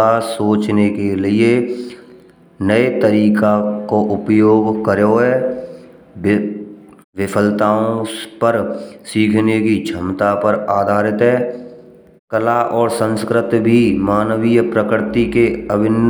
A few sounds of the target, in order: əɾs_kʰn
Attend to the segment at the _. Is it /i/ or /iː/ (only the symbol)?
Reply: iː